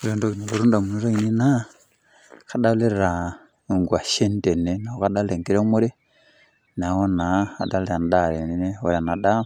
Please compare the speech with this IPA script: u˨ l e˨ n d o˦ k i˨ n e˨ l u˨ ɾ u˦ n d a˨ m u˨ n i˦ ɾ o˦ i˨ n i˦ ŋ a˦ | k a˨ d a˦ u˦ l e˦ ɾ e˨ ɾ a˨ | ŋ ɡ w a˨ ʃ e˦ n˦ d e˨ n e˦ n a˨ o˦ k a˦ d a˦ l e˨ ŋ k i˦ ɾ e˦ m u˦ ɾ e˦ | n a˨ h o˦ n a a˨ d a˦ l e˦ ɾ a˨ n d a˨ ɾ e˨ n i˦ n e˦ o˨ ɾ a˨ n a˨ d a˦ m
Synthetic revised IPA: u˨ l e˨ n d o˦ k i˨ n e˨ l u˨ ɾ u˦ n d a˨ m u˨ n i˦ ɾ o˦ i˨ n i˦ n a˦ | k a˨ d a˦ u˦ l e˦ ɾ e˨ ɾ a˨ | ŋ ɡ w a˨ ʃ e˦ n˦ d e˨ n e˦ n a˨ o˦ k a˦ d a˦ l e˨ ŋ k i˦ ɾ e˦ m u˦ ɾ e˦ | n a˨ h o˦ n a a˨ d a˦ l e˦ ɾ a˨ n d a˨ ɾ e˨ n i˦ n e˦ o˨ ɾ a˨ n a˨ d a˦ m